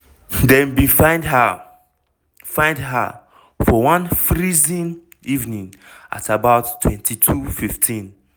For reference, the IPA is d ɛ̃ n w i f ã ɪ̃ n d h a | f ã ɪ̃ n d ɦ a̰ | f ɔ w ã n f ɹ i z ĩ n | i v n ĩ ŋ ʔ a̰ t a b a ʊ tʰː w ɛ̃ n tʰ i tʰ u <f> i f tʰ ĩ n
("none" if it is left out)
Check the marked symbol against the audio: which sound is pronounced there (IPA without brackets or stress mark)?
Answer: f